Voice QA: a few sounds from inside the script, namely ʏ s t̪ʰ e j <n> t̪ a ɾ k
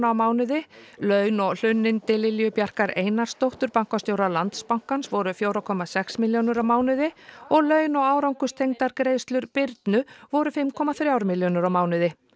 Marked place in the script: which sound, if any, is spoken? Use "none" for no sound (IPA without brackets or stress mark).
ŋ